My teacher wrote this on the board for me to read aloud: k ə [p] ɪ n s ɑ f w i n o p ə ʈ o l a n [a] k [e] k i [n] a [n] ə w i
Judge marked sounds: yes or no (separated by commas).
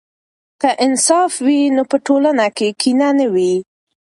no, yes, yes, yes, yes